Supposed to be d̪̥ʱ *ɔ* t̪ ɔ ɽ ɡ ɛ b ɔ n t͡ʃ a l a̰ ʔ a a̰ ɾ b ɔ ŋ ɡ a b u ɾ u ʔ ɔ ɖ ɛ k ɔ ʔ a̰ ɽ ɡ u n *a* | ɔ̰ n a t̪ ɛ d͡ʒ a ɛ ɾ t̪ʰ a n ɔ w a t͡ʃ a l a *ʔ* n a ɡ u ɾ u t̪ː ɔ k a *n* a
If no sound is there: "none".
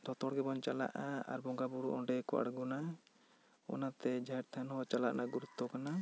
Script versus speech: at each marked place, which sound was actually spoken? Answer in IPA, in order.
ɔ, a, ʔ, n

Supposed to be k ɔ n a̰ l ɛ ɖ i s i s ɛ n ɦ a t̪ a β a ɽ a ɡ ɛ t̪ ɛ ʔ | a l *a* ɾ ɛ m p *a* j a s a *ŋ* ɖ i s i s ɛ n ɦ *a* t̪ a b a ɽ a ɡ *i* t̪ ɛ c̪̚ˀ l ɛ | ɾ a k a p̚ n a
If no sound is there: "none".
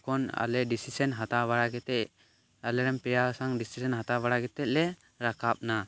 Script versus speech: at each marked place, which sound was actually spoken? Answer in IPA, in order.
ɛ, ɛ, ŋ, a, ɛ

